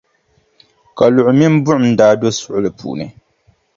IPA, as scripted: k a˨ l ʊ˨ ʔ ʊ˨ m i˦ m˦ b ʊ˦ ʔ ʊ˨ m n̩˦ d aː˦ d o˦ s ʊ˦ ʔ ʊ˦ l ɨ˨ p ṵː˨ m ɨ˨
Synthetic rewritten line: k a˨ l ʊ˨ ʔ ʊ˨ m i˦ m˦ b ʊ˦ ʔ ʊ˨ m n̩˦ d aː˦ d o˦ s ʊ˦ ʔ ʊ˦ l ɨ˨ p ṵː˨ n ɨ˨